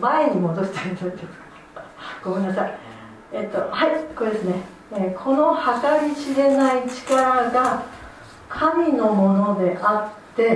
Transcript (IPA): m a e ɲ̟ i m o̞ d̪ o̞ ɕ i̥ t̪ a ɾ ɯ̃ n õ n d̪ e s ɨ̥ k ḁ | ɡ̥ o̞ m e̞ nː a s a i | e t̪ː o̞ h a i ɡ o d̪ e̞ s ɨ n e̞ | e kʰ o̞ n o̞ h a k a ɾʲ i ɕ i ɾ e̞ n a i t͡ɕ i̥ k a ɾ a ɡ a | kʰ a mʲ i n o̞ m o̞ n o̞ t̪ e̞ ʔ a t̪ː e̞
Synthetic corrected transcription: m a e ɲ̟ i m o̞ d̪ o̞ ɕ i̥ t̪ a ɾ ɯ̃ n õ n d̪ e s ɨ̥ k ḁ | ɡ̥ o̞ m e̞ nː a s a i | e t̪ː o̞ h a i k o d̪ e̞ s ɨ n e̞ | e kʰ o̞ n o̞ h a k a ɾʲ i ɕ i ɾ e̞ n a i t͡ɕ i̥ k a ɾ a ɡ a | kʰ a mʲ i n o̞ m o̞ n o̞ d̪ e̞ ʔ a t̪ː e̞